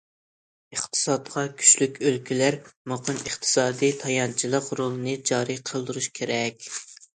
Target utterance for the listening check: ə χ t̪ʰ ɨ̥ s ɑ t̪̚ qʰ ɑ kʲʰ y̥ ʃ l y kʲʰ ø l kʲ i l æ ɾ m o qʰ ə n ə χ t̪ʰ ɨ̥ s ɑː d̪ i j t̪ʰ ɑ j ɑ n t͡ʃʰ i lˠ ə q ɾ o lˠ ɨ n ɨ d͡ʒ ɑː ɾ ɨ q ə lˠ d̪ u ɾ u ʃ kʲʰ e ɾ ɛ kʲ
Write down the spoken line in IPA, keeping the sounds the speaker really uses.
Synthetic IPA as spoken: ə χ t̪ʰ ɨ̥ s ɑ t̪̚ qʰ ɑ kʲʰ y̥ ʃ l y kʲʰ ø l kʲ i l æ ɾ m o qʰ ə n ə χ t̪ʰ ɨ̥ s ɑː d̪ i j t̪ʰ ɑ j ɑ n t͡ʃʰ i lˠ ə q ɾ o lˠ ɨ n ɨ d͡ʒ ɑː ɾ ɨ qʰ ə lˠ d̪ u ɾ u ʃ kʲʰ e ɾ ɛ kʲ